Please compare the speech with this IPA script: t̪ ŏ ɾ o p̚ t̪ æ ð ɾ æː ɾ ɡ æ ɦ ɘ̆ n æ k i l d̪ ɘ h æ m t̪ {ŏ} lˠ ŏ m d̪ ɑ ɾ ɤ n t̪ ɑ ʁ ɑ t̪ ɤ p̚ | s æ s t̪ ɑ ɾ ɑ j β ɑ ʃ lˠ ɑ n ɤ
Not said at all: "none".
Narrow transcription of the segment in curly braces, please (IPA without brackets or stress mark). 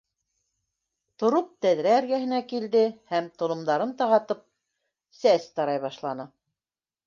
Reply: ŏ